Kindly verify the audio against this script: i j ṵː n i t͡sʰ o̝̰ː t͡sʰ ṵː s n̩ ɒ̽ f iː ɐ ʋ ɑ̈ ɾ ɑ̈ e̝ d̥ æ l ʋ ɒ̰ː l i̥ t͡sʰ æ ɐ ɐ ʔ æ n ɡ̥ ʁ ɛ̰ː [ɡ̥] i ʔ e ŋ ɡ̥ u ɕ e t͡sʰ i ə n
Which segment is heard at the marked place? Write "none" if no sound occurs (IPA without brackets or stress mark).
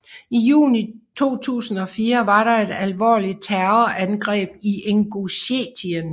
b̥